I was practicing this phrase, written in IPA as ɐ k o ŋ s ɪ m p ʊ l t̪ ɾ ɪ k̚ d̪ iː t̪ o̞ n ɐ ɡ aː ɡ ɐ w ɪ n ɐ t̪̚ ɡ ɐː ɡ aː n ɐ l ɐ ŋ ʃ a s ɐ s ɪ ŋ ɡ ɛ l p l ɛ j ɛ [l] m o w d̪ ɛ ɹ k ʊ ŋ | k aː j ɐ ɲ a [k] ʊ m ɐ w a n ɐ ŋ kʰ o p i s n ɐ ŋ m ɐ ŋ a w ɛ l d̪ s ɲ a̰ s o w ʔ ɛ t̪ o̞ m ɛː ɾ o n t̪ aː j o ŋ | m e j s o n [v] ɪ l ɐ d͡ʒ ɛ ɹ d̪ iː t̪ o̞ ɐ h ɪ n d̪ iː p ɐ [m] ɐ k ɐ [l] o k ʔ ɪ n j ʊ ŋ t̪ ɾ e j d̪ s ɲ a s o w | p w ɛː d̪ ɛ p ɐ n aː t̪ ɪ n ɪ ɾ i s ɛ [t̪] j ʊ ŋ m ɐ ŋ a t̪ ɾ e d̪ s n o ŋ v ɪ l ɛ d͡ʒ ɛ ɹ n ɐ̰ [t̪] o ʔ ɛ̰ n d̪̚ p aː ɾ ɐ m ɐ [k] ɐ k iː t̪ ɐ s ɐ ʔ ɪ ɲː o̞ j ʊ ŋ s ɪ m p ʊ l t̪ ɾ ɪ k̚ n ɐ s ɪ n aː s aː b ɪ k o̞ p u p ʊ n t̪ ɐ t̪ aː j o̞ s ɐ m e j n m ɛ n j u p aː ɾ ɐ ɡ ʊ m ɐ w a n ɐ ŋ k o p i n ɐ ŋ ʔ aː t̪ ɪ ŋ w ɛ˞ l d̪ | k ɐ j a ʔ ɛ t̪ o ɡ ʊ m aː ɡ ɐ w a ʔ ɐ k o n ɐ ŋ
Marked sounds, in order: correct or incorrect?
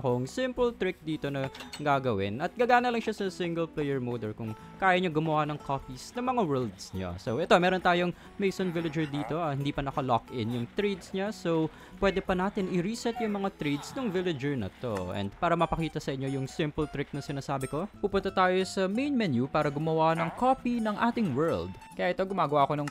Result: incorrect, incorrect, correct, incorrect, correct, correct, correct, incorrect

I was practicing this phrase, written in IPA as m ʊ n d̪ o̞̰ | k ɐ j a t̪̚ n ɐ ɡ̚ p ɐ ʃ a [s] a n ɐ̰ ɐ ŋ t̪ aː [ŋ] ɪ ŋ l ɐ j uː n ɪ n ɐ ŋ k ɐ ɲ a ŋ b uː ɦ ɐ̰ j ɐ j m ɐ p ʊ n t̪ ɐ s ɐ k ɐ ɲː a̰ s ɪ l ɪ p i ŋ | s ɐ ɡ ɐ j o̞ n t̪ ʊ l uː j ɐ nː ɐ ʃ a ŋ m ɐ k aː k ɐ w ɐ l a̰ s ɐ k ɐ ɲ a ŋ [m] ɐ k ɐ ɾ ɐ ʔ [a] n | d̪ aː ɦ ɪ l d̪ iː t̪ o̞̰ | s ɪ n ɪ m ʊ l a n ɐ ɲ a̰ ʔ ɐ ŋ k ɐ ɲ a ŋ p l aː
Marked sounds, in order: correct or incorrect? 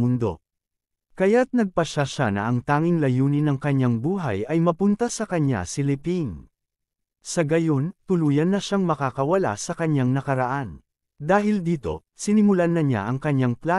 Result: incorrect, correct, incorrect, correct

